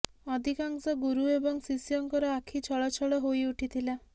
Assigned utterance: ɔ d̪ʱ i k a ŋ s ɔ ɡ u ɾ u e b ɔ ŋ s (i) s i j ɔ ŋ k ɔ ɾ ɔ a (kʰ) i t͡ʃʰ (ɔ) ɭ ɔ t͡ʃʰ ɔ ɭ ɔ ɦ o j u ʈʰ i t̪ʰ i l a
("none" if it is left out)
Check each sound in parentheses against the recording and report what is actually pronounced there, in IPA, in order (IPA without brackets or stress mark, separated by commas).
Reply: i, kʰ, ɔ